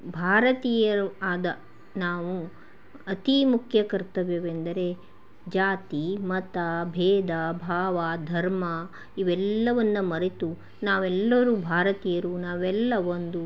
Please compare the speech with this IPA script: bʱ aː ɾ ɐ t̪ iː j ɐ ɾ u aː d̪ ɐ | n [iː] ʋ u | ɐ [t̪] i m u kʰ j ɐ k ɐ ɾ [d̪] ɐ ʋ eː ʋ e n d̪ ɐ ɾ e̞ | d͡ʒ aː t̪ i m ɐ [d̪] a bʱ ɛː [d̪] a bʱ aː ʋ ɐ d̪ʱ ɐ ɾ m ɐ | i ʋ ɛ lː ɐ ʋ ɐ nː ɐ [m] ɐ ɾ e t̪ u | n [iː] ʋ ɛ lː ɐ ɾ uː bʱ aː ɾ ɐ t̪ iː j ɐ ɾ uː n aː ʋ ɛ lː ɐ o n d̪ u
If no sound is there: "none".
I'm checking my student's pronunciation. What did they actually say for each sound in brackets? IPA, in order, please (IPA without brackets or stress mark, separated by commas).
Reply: aː, t̪, t̪, t̪, d̪, m, aː